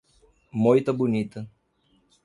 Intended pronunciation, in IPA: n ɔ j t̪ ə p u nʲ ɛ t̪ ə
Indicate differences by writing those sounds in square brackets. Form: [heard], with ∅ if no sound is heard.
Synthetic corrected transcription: [m] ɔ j t̪ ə [b] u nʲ [i] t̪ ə